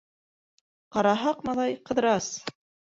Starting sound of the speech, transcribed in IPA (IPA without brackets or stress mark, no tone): q